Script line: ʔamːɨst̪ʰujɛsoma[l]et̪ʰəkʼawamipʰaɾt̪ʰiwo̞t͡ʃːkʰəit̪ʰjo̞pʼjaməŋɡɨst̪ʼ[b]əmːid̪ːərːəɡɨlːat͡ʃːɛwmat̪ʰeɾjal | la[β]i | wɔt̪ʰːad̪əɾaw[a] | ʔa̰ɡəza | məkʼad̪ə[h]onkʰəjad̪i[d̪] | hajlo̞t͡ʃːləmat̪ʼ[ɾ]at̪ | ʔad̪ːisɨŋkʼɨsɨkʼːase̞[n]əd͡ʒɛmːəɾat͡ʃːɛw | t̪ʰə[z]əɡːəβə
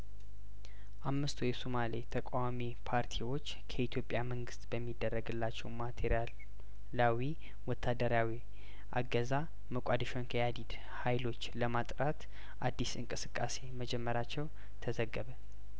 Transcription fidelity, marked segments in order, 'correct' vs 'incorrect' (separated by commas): correct, correct, incorrect, incorrect, incorrect, correct, correct, incorrect, correct